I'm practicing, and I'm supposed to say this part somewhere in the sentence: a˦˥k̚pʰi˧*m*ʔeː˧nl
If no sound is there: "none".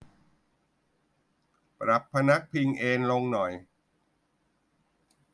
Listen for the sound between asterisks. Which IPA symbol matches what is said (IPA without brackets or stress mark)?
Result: ŋ